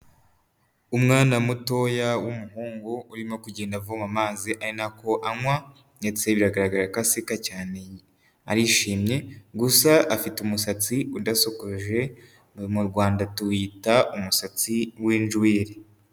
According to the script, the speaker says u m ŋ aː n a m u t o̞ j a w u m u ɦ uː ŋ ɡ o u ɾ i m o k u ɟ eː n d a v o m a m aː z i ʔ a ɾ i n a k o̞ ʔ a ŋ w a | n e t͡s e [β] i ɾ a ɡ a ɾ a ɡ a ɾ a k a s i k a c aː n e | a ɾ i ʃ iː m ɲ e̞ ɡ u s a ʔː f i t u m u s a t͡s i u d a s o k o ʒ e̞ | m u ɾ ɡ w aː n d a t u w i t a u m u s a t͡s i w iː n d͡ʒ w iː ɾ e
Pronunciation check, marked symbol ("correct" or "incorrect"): correct